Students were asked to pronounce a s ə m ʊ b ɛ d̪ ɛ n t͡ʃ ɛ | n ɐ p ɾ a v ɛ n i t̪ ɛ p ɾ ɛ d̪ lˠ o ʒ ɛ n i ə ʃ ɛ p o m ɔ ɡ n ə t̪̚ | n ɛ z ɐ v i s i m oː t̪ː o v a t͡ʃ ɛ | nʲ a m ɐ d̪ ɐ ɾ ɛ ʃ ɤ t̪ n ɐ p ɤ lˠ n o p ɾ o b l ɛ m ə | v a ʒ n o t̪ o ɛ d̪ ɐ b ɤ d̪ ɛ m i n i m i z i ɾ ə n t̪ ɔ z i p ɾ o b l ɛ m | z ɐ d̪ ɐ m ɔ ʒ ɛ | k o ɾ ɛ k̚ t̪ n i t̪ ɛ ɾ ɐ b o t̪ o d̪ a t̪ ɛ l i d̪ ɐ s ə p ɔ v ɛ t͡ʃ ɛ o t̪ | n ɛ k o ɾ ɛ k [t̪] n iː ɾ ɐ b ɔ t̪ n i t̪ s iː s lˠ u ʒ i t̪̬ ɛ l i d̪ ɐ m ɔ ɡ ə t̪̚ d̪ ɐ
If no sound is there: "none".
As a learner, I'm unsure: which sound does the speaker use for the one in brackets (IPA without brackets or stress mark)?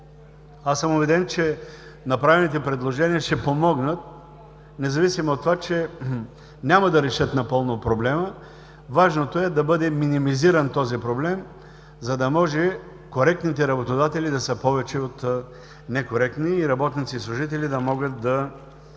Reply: t̪